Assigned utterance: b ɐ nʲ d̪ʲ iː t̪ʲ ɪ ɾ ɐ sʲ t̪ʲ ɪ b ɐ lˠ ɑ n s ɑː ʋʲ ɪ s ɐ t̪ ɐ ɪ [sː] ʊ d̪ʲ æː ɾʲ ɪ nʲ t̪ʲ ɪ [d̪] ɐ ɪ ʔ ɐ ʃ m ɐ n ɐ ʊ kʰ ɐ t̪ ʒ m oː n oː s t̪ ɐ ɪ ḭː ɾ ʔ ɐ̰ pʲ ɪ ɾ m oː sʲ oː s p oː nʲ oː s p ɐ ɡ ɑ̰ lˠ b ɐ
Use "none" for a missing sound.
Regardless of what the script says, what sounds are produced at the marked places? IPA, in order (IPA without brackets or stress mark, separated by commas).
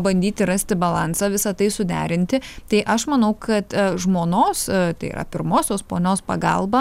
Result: s, t̪